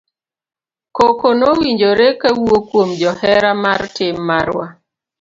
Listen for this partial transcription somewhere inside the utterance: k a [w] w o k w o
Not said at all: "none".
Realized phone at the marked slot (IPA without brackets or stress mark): w